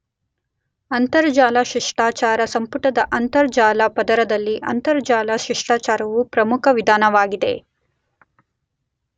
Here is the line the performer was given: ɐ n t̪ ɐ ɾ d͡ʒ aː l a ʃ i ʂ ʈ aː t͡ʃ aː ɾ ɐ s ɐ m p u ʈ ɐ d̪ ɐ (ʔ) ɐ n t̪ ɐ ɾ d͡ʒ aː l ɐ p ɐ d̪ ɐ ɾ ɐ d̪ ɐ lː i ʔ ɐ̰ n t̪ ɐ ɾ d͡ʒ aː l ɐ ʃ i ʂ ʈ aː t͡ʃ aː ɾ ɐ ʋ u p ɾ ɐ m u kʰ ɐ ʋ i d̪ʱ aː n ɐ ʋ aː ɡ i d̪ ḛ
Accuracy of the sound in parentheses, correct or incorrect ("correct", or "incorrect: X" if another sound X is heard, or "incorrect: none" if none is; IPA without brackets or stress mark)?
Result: correct